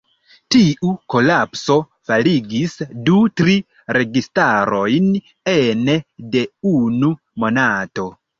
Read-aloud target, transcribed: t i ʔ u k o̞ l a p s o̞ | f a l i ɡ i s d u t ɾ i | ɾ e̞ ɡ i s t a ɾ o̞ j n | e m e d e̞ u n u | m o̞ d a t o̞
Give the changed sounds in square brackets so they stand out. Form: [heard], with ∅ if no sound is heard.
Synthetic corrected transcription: t i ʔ u k o̞ l a p s o̞ | f a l i ɡ i s d u t ɾ i | ɾ e̞ ɡ i s t a ɾ o̞ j n | e [n] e d e̞ u n u | m o̞ [n] a t o̞

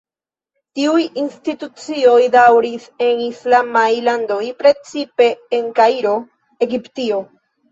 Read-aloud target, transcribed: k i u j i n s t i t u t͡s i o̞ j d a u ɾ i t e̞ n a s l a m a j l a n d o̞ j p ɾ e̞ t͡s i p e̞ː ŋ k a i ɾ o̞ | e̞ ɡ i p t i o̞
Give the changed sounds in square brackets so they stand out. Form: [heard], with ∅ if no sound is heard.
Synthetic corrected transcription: [t] i u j i n s t i t u t͡s i o̞ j d a [w] ɾ i [s] e̞ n [i] s l a m a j l a n d o̞ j p ɾ e̞ t͡s i p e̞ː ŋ k a i ɾ o̞ | e̞ ɡ i p t i o̞

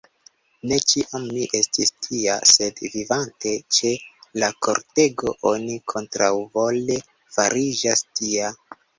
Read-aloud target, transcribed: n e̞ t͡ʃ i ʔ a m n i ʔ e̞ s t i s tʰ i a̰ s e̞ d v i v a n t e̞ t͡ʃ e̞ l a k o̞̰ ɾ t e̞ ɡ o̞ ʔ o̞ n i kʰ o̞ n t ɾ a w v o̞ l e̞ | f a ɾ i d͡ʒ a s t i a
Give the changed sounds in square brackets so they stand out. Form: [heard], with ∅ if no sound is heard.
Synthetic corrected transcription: n e̞ t͡ʃ i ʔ a m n i ʔ e̞ s t i s tʰ i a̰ s e̞ d v i v a n t e̞ t͡ʃ e̞ l a k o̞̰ ɾ t e̞ ɡ o̞ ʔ o̞ n i kʰ o̞ n t ɾ a w v o̞ l e̞ | f a ɾ i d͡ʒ a s t i a

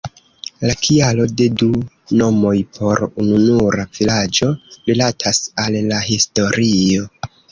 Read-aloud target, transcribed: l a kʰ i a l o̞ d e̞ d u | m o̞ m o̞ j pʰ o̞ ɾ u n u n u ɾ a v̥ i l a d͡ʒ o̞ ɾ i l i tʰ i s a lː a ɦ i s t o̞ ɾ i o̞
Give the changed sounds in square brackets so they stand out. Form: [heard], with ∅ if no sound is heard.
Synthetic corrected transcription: l a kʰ i a l o̞ d e̞ d u | [n] o̞ m o̞ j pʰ o̞ ɾ u n u n u ɾ a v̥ i l a d͡ʒ o̞ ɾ i l [a] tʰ [a] s a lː a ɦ i s t o̞ ɾ i o̞

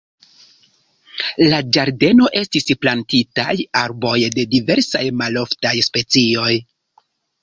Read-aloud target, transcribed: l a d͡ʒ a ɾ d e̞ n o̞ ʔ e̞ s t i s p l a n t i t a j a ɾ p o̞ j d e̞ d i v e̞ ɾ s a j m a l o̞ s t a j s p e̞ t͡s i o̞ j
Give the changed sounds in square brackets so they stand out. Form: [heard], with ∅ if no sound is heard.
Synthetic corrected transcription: l a d͡ʒ a ɾ d e̞ n o̞ ʔ e̞ s t i s p l a n t i t a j a ɾ [b] o̞ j d e̞ d i v e̞ ɾ s a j m a l o̞ [f] t a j s p e̞ t͡s i o̞ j

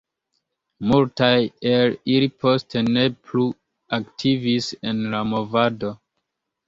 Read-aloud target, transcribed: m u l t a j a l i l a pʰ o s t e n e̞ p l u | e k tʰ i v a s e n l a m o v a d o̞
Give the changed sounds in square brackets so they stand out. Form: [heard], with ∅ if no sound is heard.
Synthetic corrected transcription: m u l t a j [e] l i l [i] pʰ o s t e n e̞ p l u | [a] k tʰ i v [i] s e n l a m o v a d o̞

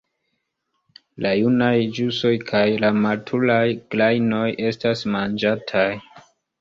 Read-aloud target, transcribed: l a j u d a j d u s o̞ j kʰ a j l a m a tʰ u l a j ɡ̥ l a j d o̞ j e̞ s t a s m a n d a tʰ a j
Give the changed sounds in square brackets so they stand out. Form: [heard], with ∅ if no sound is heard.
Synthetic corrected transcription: l a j u [n] a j [d͡ʒ] u s o̞ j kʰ a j l a m a tʰ u l a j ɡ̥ l a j [n] o̞ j e̞ s t a s m a n [d͡ʒ] a tʰ a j

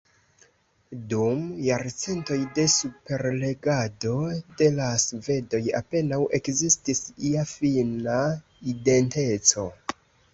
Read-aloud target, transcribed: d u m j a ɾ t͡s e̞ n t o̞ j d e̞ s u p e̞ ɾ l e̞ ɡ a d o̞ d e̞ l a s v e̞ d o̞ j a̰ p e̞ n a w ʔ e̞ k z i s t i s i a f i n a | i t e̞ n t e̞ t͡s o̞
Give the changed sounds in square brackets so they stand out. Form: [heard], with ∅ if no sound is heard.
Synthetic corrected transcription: d u m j a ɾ t͡s e̞ n t o̞ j d e̞ s u p e̞ ɾ l e̞ ɡ a d o̞ d e̞ l a s v e̞ d o̞ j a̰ p e̞ n a w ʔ e̞ k z i s t i s i a f i n a | i [d] e̞ n t e̞ t͡s o̞

